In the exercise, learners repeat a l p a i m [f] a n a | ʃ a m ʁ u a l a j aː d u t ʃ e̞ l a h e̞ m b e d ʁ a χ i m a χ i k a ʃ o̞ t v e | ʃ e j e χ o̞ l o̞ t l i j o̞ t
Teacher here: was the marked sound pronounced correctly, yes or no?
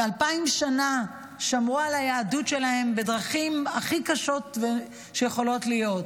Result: no